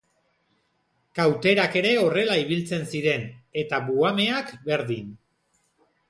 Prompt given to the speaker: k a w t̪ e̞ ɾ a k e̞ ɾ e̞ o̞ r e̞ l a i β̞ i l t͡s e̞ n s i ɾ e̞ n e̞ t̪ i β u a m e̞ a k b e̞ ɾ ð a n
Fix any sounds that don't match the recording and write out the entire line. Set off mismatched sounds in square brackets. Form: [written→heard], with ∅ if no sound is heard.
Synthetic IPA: k a w t̪ e̞ ɾ a k e̞ ɾ e̞ o̞ r e̞ l a i β̞ i l t͡s e̞ n s i ɾ e̞ n e̞ t̪ [i→a] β u a m e̞ a k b e̞ ɾ ð [a→i] n